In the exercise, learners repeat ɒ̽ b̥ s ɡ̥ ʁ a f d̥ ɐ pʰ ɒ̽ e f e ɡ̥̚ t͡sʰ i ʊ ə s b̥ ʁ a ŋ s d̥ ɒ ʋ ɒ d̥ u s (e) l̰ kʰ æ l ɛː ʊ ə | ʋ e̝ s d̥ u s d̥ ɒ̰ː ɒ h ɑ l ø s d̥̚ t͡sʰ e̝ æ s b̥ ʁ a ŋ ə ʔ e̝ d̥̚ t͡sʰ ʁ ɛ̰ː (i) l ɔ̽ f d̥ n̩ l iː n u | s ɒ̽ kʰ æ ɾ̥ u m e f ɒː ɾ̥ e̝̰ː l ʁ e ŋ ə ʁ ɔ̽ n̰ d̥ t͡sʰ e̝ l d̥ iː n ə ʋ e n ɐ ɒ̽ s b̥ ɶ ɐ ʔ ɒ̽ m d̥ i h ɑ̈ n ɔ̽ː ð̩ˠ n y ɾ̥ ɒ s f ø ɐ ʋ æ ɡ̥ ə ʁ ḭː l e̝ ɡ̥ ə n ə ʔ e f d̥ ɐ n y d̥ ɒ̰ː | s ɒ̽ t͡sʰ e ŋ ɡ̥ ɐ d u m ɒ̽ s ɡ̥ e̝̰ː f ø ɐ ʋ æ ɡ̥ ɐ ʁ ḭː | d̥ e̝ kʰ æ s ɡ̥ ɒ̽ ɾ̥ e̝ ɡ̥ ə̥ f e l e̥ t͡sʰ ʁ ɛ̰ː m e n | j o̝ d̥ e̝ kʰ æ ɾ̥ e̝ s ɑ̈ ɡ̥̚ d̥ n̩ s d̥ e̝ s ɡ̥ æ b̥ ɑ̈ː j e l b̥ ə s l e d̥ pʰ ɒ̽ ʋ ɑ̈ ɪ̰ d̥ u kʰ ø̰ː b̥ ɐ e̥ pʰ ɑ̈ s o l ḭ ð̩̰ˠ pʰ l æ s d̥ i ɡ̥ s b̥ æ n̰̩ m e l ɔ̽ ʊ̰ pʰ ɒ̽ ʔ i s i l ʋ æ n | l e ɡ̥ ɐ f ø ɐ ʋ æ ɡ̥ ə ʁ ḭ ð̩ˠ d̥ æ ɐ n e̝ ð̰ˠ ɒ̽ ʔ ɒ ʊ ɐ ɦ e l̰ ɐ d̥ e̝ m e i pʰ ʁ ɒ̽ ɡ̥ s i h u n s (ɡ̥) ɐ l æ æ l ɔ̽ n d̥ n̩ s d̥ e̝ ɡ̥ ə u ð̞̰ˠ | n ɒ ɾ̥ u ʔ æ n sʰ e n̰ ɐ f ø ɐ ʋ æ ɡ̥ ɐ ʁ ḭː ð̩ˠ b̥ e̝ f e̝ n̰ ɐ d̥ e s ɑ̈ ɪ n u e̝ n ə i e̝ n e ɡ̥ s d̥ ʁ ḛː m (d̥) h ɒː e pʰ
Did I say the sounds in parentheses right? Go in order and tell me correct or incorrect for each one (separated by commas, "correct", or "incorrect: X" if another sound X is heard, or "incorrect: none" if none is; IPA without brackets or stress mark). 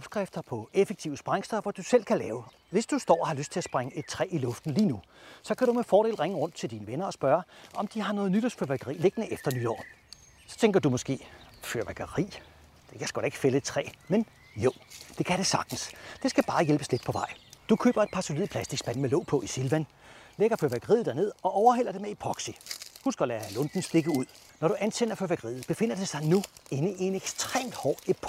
correct, correct, correct, correct